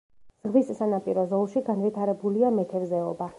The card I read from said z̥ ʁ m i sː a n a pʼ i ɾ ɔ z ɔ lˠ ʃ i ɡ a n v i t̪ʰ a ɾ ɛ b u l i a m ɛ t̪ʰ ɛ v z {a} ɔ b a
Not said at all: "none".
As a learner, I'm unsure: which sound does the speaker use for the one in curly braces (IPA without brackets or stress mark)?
ɛ